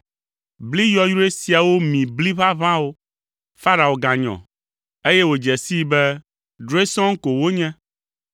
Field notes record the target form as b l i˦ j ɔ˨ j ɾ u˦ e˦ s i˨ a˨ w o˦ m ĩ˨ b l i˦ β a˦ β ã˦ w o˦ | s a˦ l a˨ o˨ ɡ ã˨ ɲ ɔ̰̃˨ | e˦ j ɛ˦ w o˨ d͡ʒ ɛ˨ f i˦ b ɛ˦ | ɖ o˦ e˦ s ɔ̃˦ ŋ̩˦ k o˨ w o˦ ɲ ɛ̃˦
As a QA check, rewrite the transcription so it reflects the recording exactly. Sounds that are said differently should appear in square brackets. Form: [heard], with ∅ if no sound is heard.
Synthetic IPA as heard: b l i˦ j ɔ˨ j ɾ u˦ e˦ s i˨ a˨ w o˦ m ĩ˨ b l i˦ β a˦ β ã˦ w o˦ | [f] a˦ [ɾ] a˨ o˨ ɡ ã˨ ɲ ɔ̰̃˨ | e˦ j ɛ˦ w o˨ d͡ʒ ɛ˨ [s] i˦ b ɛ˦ | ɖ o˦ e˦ s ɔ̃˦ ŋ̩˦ k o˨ w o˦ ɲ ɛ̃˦